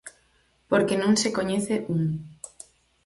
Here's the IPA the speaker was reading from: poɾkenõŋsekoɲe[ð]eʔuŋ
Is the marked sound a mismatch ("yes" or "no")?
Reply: yes